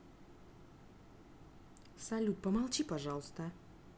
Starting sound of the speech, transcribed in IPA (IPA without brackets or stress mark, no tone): s